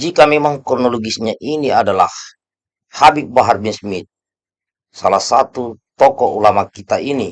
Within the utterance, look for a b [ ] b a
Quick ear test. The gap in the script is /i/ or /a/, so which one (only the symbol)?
i